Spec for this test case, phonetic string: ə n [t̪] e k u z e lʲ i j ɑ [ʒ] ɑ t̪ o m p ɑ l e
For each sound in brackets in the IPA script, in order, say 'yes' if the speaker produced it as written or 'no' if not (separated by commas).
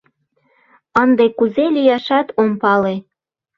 no, no